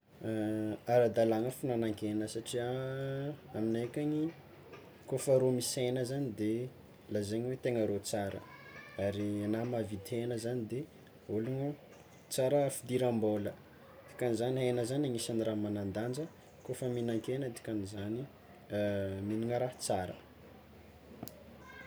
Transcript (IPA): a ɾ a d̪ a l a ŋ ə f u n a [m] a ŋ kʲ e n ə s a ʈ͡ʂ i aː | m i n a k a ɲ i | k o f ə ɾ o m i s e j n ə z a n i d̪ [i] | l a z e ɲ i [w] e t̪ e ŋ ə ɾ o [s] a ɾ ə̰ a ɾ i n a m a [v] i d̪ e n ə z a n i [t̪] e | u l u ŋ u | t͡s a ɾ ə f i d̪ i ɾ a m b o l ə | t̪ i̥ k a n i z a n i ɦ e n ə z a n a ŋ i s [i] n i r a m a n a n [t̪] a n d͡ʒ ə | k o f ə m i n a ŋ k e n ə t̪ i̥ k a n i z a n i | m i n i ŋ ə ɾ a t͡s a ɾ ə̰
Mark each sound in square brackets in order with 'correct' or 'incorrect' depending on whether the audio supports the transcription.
incorrect, incorrect, correct, incorrect, correct, incorrect, incorrect, incorrect

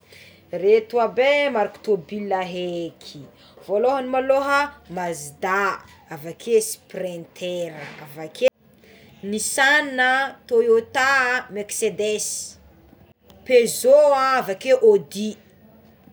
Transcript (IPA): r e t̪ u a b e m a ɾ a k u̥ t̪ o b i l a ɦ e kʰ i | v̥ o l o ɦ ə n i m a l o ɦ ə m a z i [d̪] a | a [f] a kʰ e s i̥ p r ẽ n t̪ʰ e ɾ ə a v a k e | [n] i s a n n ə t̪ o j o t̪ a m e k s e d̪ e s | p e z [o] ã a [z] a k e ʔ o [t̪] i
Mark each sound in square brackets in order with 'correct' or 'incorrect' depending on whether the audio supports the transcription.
correct, incorrect, correct, correct, incorrect, incorrect

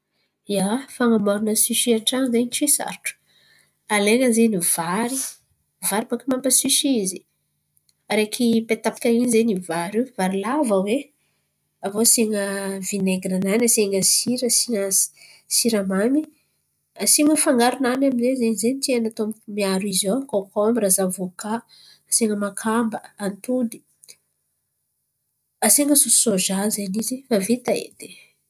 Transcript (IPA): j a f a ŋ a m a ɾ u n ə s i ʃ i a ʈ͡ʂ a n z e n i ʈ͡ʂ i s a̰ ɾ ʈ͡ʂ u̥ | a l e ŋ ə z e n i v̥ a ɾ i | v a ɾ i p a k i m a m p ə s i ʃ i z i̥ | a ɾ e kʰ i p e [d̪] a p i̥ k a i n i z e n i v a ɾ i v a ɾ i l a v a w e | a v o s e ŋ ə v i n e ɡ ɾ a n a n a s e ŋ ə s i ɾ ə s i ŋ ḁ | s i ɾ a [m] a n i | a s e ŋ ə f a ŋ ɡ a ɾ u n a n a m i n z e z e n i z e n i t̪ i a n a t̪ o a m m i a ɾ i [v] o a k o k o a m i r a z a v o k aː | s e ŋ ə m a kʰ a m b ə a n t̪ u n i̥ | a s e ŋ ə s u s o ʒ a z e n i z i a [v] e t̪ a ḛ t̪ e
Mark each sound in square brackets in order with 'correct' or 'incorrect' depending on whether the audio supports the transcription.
incorrect, correct, incorrect, correct

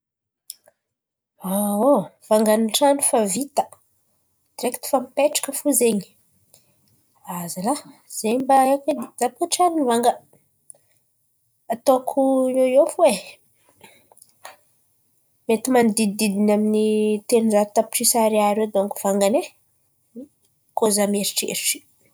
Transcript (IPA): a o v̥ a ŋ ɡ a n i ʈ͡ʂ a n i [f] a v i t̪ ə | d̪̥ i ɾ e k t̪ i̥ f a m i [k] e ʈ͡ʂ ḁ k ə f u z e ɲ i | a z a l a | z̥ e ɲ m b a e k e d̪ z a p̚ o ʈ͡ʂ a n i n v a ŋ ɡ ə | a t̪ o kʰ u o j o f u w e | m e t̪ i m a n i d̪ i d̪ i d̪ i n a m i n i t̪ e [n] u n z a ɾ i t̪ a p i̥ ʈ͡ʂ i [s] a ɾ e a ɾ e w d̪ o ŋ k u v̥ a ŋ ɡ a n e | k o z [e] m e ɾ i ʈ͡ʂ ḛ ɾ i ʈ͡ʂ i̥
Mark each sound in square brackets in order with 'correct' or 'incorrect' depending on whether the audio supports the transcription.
correct, incorrect, correct, correct, incorrect

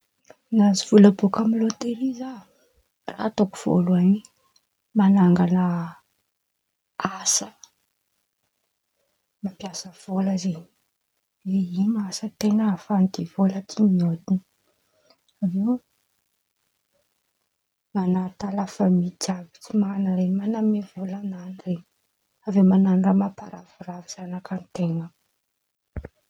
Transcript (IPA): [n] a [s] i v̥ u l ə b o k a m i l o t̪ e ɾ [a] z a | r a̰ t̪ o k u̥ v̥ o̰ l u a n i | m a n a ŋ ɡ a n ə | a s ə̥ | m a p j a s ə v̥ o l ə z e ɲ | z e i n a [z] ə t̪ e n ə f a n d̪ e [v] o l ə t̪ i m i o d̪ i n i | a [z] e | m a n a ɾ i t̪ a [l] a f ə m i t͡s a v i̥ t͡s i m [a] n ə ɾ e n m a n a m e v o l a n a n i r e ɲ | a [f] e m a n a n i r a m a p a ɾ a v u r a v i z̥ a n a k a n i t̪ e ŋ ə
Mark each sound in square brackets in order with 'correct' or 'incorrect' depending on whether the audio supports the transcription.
correct, incorrect, incorrect, incorrect, correct, incorrect, correct, correct, incorrect

